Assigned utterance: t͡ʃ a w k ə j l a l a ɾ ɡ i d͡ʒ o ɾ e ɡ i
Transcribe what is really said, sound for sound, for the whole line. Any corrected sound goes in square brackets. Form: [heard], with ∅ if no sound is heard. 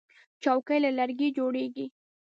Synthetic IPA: t͡ʃ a w k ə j l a l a ɾ ɡ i d͡ʒ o [ɽ] e ɡ i

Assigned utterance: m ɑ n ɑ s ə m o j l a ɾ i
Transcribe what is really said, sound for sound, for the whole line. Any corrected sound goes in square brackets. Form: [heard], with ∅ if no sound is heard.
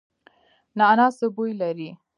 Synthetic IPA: [n] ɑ n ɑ s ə [b] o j l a ɾ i

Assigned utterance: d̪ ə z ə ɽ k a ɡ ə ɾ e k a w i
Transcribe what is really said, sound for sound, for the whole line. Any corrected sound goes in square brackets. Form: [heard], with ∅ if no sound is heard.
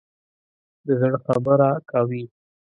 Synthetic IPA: d̪ ə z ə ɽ [x] a [b] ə ɾ [a] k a w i

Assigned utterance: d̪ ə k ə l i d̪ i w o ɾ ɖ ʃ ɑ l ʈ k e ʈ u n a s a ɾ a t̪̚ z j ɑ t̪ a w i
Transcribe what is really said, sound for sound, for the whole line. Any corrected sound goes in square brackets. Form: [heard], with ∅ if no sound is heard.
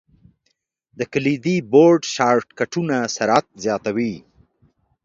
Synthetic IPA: d̪ ə k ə l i d̪ i [b] o ɾ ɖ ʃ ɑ [ɾ] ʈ k [a] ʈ u n a s a ɾ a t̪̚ z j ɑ t̪ a w i

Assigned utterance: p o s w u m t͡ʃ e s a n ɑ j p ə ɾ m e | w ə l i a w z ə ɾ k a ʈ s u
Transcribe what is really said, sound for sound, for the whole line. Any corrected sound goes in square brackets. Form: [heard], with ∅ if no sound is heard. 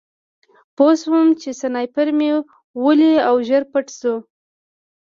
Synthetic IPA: p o s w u m t͡ʃ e s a n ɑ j p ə ɾ m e | w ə l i a w [ʒ] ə ɾ [p] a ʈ s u

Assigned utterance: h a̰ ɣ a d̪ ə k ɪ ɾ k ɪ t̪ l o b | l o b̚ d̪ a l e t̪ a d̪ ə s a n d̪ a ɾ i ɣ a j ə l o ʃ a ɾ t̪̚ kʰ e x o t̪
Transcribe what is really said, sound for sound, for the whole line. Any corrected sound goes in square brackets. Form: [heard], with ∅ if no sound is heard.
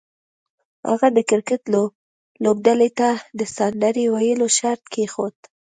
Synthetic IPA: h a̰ ɣ a d̪ ə k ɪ ɾ k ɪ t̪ l o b | l o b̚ d̪ a l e t̪ a d̪ ə s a n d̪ a ɾ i [w] a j ə l o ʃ a ɾ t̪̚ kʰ e x o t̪

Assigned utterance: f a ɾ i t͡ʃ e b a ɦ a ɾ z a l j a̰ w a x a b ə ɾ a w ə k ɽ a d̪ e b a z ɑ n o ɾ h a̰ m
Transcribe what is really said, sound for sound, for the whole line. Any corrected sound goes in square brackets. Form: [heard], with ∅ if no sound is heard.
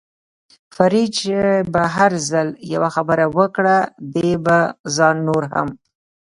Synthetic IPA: f a ɾ i t͡ʃ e b a ɦ a ɾ z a l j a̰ w a x a b ə ɾ a w ə k ɽ a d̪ e b a z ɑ [nː] o ɾ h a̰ m

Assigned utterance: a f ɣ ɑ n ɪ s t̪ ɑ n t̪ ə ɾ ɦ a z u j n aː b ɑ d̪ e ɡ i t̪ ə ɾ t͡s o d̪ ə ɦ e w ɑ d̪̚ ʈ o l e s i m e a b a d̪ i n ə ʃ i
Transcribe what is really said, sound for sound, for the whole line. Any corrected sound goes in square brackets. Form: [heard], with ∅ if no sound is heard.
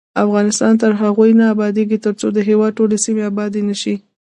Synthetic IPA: a f ɣ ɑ n ɪ s t̪ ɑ n t̪ ə ɾ ɦ a [ɣ] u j n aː b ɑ d̪ e ɡ i t̪ ə ɾ t͡s o d̪ ə ɦ e w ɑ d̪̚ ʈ o l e s i m e a b [ɑ] d̪ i n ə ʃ i

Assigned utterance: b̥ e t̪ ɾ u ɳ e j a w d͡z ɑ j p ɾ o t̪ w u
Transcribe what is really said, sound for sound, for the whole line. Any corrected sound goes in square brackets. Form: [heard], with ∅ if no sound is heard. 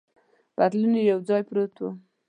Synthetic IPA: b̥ [a] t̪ [l] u [n] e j a w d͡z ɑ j p ɾ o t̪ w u

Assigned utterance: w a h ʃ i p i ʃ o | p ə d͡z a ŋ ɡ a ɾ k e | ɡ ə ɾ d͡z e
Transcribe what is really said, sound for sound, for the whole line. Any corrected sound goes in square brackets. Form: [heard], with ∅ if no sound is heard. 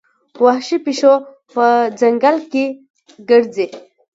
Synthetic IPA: w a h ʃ i p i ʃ o | p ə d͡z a ŋ ɡ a [l] k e | ɡ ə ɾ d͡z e

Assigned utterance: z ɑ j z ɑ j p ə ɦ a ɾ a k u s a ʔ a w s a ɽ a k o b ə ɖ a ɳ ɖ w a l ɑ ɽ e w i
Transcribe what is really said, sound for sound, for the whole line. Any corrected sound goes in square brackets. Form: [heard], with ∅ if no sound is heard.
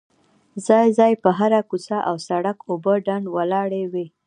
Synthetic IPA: z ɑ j z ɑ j p ə ɦ a ɾ a k u s a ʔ a w s a ɽ a k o b ə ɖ a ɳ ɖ w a l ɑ ɽ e w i

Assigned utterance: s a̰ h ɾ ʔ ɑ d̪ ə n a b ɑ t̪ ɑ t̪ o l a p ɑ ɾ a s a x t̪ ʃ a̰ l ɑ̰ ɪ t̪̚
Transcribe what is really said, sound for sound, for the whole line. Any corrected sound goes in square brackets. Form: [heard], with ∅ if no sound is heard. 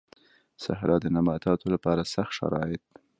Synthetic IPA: s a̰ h ɾ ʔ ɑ d̪ ə n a [m] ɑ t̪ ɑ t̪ o l a p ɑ ɾ a s a x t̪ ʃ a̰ [ɾ] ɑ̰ ɪ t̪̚

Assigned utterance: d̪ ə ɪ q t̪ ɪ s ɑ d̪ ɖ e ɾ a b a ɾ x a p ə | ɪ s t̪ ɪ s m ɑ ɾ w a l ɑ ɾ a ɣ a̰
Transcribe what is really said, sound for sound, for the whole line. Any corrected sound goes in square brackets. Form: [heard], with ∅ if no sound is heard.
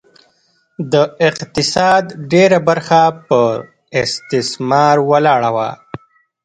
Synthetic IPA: d̪ ə ɪ q t̪ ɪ s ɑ d̪ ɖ e ɾ a b a ɾ x a p ə | ɪ s t̪ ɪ s m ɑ ɾ w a l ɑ [ɽ] a [w] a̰

